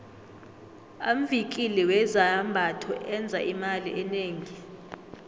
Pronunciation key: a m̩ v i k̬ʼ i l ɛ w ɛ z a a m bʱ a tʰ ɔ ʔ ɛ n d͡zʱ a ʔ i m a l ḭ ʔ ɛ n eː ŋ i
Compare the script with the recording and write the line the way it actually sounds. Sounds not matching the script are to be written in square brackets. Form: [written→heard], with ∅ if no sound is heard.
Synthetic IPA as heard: a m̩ v i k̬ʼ i l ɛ w ɛ z a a m bʱ a tʰ ɔ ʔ ɛ n d͡zʱ a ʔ i m a l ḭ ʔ ɛ n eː ŋ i